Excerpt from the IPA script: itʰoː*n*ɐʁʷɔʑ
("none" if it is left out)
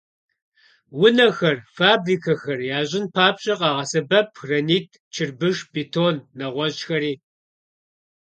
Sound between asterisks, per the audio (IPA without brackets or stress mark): nː